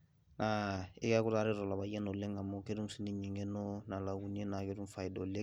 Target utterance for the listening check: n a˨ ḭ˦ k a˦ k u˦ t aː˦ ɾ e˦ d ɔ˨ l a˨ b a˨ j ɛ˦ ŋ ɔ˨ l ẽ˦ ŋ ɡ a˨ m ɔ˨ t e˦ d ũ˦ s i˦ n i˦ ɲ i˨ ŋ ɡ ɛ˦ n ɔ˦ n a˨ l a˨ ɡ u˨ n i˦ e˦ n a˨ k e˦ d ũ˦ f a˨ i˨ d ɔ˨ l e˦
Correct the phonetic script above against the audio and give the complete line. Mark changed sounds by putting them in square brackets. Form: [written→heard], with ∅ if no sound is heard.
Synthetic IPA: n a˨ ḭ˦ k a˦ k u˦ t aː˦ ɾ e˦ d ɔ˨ l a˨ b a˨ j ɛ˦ [ŋ→n] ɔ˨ l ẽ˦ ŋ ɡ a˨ m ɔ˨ [t→k] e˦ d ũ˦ s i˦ n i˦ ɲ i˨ ŋ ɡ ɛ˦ n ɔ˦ n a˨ l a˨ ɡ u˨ n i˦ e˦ n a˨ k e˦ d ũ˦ f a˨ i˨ d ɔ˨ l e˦